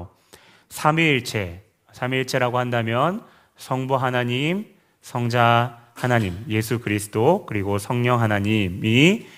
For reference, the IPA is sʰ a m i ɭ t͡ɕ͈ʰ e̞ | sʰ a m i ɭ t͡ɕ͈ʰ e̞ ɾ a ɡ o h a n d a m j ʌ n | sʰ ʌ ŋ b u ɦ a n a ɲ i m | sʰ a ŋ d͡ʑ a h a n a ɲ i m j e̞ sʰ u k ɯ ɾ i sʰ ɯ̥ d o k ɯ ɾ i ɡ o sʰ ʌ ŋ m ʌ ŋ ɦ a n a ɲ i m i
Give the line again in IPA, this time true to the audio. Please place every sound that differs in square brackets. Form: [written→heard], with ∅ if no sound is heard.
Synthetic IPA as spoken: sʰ a m i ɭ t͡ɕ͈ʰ e̞ | sʰ a m i ɭ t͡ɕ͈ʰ e̞ ɾ a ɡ o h a n d a m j ʌ n | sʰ ʌ ŋ b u ɦ a n a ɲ i m | sʰ [a→ʌ] ŋ d͡ʑ a h a n a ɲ i m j e̞ sʰ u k ɯ ɾ i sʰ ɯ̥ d o k ɯ ɾ i ɡ o sʰ ʌ ŋ [m→ɲ] ʌ ŋ ɦ a n a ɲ i m i